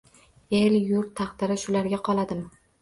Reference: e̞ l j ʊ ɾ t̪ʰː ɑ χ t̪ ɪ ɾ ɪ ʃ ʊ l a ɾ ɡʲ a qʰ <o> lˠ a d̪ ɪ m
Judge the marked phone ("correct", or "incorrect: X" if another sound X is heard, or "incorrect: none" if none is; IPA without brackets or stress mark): incorrect: ɒ